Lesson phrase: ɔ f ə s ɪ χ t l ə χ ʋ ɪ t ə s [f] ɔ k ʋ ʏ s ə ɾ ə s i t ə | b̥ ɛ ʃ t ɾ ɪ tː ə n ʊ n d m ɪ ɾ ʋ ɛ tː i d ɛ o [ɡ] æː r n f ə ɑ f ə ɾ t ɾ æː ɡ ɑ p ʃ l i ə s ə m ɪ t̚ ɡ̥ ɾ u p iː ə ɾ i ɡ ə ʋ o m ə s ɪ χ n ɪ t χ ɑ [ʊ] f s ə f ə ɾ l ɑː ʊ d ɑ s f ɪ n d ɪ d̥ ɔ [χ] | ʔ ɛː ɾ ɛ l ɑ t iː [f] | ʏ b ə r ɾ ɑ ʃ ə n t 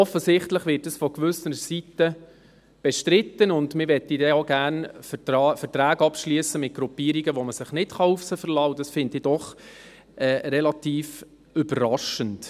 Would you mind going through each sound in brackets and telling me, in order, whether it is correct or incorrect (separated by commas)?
correct, correct, incorrect, correct, correct